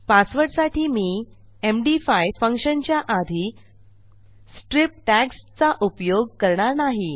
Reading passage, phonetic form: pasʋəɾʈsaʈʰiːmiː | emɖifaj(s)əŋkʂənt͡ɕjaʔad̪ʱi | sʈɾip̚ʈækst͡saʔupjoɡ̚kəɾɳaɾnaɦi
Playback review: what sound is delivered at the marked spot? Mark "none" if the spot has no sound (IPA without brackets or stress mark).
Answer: f